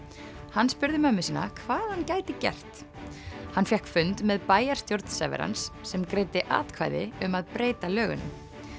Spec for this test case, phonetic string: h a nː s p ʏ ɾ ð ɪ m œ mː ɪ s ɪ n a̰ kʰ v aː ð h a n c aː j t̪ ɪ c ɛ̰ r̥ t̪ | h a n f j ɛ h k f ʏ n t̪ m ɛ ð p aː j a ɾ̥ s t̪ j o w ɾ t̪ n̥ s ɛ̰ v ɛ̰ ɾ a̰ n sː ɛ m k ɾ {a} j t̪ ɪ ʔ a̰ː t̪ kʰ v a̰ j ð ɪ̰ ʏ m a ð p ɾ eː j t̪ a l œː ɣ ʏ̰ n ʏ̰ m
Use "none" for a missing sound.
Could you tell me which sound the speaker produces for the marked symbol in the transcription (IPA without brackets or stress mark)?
e